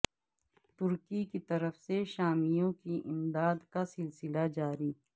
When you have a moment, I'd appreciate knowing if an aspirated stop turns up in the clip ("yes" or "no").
no